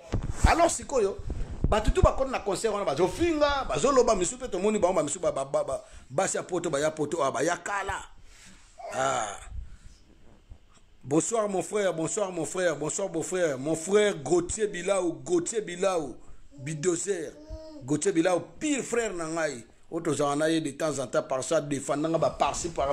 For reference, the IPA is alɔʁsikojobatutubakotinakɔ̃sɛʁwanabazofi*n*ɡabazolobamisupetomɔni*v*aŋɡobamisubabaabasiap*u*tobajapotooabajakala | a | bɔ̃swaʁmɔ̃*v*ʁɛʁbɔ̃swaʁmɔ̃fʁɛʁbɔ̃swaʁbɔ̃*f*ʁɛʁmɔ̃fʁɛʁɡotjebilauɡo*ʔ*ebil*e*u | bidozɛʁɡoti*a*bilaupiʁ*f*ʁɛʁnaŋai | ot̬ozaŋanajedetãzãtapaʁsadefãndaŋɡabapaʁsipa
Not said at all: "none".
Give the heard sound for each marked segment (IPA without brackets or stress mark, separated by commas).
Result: ŋ, b, o, f, f, t, a, e, f